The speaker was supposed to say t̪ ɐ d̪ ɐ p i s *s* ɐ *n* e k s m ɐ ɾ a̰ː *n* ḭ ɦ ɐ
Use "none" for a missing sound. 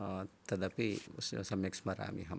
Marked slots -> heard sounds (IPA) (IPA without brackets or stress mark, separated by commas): s, m, m